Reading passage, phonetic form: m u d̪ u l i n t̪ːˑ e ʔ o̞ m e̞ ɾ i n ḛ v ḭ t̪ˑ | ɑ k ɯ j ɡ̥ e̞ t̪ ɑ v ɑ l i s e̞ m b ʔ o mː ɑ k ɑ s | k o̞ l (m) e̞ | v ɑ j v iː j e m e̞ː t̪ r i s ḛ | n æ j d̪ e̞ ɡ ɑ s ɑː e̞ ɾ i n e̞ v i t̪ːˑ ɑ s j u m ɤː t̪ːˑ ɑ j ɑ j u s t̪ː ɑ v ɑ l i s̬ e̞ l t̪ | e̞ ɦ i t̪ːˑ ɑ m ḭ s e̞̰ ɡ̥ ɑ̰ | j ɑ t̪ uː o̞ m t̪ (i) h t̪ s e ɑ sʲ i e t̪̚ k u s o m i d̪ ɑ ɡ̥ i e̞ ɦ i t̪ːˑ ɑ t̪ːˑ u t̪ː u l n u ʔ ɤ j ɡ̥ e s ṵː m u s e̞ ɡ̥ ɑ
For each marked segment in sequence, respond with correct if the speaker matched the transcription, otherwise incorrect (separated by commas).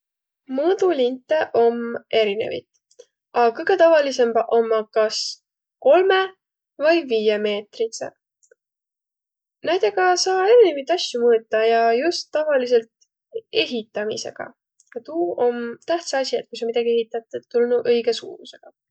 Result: correct, incorrect